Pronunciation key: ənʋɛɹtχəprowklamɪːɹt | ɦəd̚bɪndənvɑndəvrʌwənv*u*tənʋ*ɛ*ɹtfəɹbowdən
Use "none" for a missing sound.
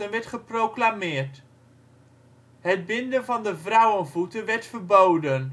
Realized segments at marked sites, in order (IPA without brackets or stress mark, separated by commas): u, ɛ